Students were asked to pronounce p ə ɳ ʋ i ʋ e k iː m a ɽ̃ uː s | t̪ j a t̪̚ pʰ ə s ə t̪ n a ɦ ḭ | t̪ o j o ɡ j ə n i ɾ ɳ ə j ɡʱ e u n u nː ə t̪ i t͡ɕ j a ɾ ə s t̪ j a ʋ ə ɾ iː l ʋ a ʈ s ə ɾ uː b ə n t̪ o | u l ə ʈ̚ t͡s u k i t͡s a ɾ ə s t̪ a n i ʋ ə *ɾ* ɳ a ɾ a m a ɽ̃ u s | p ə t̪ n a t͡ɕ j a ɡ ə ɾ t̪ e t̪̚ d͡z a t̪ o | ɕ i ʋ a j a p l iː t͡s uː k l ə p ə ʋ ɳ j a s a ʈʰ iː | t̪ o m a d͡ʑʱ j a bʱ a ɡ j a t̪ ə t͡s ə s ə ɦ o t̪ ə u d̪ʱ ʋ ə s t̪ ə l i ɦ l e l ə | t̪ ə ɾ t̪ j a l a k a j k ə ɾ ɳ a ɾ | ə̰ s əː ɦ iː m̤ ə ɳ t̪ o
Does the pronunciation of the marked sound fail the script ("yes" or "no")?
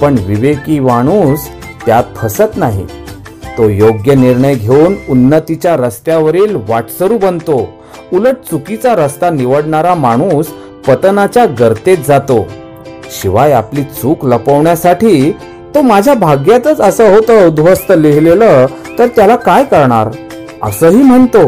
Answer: yes